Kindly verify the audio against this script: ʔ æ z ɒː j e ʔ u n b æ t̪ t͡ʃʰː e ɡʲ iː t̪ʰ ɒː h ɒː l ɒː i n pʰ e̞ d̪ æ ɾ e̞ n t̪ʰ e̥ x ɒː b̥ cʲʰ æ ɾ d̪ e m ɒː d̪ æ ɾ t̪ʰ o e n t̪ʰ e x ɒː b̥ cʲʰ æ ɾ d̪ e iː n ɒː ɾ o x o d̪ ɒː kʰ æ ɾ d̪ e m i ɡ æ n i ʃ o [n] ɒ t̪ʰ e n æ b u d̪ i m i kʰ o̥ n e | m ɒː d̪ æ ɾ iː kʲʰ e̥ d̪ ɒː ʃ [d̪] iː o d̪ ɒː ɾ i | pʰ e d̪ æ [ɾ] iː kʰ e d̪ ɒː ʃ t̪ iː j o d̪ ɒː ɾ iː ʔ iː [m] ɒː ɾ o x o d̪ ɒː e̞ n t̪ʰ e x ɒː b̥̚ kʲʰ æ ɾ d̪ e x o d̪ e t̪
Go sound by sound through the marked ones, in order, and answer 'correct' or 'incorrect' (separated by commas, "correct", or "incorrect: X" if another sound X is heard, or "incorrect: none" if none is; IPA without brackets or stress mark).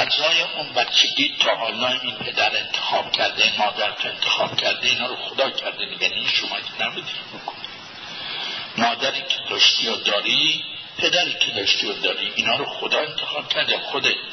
incorrect: m, incorrect: t̪, correct, incorrect: n